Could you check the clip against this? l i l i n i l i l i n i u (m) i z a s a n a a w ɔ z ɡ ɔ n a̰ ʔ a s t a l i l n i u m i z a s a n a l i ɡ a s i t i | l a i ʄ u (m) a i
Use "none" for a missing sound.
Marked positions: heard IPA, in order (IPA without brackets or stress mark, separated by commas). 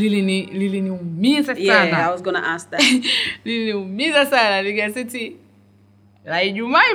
m, m